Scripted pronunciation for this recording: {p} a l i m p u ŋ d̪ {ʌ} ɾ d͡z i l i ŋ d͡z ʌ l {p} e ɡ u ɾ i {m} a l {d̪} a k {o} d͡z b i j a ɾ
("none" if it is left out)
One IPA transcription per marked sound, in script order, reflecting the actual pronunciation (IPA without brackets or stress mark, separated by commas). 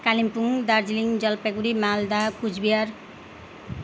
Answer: k, a, p, m, d̪, u